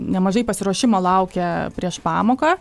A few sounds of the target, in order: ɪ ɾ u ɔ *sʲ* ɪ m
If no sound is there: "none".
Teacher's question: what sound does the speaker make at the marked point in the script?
ʃʲ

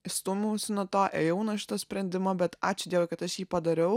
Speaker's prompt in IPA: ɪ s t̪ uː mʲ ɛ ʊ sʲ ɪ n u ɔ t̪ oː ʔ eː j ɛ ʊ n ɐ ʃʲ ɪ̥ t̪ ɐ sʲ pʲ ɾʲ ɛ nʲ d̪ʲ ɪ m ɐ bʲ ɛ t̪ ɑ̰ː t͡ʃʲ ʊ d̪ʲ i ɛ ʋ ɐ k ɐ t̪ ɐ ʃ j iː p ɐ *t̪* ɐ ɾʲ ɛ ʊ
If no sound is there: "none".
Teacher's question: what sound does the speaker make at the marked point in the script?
d̪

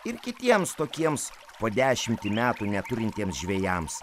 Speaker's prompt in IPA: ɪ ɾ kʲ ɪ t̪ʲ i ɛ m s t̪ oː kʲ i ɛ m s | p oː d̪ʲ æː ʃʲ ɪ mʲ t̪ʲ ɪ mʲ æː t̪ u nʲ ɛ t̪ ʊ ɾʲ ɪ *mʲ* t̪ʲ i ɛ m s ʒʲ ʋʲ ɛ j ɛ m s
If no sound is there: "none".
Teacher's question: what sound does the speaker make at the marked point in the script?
nʲ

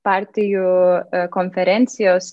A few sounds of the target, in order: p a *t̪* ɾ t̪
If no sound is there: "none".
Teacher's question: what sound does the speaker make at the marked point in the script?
none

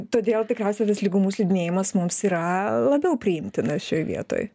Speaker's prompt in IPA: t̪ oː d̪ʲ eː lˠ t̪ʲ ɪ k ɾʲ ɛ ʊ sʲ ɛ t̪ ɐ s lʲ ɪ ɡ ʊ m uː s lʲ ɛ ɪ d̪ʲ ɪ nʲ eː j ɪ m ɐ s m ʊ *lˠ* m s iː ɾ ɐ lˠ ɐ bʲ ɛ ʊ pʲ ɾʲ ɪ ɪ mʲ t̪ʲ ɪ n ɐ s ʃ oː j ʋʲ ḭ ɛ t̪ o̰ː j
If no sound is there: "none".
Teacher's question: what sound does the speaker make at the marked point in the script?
none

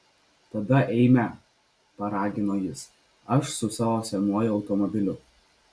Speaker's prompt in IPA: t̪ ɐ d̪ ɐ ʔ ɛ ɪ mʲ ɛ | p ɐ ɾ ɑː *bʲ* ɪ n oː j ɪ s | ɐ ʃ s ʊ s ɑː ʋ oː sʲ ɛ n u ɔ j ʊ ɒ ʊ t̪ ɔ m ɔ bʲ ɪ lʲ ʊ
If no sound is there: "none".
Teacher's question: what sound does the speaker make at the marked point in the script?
ɡʲ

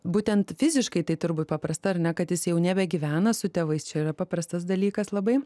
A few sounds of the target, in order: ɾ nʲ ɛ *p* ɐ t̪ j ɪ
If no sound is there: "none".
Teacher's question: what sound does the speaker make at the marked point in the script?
k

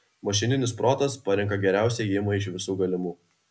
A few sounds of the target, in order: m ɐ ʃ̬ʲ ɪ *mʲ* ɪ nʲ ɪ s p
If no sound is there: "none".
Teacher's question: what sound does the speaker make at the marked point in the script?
nʲ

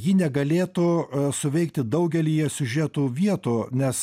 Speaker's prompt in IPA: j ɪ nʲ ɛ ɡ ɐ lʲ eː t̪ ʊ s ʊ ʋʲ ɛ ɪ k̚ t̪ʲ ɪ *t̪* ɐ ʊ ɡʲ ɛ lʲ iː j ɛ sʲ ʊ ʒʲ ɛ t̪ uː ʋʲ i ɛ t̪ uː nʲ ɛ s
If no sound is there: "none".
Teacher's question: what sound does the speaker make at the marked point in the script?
d̪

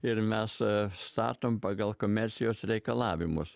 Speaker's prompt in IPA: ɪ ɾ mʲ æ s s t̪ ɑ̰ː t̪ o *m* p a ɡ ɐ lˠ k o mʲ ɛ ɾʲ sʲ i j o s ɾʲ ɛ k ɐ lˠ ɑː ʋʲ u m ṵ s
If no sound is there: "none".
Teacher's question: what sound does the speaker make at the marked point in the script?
m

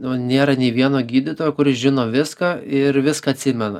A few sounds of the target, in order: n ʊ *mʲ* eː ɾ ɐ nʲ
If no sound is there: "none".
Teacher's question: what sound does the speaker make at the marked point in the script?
nʲ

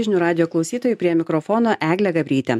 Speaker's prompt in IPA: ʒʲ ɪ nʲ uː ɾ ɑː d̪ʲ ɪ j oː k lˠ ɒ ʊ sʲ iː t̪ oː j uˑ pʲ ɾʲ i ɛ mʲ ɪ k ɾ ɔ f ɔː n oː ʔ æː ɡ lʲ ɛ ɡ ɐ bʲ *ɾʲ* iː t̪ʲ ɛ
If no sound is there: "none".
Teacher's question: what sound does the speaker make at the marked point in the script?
ɾʲ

